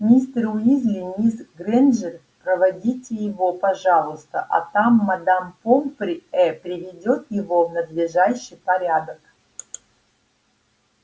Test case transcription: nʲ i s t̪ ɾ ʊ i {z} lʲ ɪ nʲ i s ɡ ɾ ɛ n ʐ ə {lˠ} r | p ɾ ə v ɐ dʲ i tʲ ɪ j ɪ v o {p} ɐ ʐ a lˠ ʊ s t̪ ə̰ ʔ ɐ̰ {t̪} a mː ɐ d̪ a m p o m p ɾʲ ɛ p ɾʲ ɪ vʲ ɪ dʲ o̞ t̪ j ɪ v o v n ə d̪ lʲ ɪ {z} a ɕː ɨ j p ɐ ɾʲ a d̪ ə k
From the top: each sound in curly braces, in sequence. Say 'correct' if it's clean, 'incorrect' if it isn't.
correct, incorrect: none, correct, correct, incorrect: ʐ

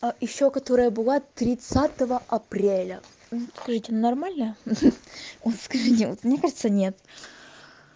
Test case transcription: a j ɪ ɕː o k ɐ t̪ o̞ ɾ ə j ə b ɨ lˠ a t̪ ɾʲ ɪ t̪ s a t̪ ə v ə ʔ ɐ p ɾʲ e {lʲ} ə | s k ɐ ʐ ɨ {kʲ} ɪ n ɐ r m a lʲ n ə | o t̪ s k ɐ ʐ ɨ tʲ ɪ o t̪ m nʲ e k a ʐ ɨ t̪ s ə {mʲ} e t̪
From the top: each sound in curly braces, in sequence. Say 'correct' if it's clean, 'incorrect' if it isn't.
correct, incorrect: tʲ, incorrect: nʲ

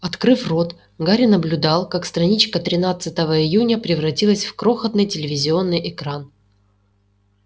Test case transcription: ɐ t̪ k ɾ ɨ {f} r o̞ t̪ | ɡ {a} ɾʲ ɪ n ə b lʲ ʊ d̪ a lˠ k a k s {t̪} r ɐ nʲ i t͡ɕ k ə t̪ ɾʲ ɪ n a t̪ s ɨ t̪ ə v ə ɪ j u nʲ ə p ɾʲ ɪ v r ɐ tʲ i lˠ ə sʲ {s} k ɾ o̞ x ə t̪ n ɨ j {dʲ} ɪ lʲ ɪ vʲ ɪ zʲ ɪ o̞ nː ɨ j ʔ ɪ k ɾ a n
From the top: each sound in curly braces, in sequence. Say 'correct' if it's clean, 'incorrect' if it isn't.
correct, correct, correct, incorrect: f, incorrect: tʲ

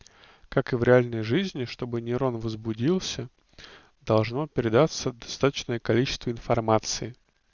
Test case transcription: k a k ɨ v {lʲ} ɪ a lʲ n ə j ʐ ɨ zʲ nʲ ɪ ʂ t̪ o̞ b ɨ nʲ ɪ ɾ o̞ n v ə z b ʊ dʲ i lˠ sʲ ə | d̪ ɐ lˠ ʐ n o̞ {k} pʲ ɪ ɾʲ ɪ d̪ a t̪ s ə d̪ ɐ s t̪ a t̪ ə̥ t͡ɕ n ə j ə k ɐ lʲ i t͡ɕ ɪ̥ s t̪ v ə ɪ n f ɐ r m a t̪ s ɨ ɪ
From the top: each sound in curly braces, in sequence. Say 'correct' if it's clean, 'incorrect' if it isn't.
incorrect: ɾʲ, incorrect: none

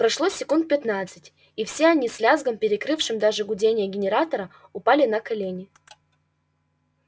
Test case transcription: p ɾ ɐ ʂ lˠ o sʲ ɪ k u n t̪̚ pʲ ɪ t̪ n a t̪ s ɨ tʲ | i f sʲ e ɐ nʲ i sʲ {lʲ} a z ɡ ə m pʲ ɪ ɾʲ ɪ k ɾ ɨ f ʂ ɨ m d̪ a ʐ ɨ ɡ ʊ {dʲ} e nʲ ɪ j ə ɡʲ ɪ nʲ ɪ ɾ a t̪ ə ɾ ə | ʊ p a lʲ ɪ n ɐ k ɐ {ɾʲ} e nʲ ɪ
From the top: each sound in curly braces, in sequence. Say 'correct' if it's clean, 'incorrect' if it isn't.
correct, correct, incorrect: lʲ

